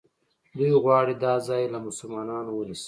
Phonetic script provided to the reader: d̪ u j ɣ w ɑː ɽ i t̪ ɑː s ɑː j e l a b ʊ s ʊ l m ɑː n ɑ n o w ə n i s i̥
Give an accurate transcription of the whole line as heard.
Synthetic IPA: d̪ u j ɣ w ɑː ɽ i d̪ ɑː z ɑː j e l a m ʊ s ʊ l m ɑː n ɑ n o w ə n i s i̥